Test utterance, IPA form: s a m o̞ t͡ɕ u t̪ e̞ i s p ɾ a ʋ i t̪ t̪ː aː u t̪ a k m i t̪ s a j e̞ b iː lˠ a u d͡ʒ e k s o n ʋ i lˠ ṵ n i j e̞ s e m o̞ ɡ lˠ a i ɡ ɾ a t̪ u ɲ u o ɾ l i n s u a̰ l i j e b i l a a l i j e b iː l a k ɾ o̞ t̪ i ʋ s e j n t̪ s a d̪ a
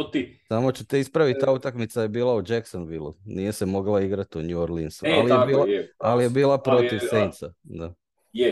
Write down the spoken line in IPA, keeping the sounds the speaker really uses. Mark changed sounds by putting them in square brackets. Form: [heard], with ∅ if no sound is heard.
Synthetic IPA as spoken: s a m o̞ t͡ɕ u t̪ e̞ i s p ɾ a ʋ i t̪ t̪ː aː u t̪ a k m i t̪ s a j e̞ b iː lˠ a u d͡ʒ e k s o n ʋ i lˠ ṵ n i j e̞ s e m o̞ ɡ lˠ a i ɡ ɾ a t̪ u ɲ u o ɾ l i n s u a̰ l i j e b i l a a l i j e b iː l a [p] ɾ o̞ t̪ i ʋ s e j n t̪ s a d̪ a